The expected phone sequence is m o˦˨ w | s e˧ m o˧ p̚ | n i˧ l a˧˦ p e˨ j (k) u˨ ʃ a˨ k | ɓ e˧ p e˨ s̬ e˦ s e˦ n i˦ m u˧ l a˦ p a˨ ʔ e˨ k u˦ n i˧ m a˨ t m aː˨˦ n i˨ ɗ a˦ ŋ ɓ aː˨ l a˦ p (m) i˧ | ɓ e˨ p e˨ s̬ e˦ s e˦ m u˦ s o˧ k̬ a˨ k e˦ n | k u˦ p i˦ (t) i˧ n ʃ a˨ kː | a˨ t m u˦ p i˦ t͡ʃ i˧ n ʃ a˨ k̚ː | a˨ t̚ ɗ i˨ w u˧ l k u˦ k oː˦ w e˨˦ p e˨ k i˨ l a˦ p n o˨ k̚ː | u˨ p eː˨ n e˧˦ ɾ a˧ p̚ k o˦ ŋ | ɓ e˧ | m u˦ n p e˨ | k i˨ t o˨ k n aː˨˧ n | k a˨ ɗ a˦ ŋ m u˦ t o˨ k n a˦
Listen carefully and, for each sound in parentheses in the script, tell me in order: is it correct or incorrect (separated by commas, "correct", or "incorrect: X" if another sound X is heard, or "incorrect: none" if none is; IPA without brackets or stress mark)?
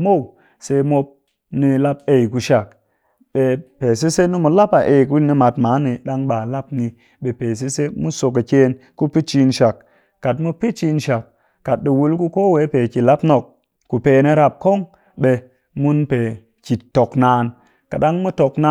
correct, incorrect: n, incorrect: t͡ʃ